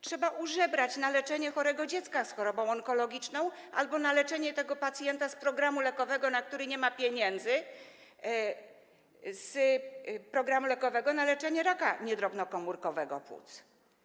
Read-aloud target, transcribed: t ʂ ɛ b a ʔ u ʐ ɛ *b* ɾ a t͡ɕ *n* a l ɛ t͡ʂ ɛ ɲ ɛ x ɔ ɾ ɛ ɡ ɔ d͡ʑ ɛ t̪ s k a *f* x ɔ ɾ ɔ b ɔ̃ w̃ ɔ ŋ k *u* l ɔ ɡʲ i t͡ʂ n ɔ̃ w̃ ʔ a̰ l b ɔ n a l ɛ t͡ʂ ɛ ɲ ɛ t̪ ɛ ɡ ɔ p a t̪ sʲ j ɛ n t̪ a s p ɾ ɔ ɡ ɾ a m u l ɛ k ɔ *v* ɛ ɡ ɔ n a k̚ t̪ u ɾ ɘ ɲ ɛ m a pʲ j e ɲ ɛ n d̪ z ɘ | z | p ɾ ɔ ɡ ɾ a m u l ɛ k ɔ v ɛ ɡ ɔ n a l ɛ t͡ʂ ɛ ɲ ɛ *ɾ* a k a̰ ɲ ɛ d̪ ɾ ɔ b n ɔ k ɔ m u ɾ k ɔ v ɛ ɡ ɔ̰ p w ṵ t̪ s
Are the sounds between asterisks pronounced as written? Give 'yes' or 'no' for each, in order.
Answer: yes, yes, no, no, yes, yes

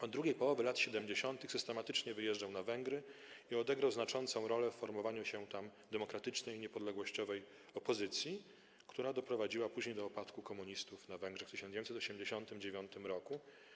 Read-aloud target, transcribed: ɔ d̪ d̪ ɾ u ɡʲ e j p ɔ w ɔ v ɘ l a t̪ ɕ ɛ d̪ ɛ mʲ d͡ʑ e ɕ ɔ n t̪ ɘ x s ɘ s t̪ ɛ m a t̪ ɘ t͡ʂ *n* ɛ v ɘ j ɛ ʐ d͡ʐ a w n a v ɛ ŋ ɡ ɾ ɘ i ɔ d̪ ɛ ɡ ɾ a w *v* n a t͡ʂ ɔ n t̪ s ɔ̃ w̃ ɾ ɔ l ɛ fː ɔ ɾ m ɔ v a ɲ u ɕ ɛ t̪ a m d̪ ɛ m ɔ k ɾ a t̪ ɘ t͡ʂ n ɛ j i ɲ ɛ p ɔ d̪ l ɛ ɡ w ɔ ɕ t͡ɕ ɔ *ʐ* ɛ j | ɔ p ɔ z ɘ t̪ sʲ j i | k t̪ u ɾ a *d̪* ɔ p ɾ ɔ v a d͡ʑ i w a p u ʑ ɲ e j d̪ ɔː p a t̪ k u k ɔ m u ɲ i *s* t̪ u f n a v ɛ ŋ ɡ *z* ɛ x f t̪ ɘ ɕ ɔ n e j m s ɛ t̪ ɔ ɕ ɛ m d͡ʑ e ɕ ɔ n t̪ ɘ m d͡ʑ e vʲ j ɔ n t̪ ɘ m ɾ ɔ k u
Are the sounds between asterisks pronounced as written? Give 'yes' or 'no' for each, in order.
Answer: no, no, no, yes, yes, no

